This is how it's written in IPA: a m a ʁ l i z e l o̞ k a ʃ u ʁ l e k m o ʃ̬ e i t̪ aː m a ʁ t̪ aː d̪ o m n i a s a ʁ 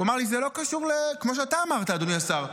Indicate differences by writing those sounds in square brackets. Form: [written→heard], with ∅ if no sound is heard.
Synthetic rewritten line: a m a ʁ l i z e l o̞ k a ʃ u ʁ l e k m o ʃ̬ e [i→a] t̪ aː m a ʁ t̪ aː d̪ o [m→∅] n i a s a ʁ